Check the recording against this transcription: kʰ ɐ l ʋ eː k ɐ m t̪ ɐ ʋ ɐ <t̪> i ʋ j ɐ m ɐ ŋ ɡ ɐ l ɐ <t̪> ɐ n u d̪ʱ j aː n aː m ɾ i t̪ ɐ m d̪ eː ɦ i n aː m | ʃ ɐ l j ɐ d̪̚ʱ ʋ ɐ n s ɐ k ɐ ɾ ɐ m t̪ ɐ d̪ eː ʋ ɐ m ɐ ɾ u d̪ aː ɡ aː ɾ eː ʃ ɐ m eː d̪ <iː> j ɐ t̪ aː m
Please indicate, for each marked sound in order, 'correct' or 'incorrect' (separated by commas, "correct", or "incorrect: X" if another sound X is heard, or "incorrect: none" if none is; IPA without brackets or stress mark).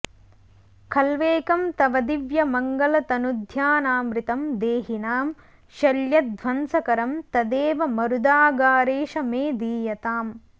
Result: incorrect: d̪, correct, correct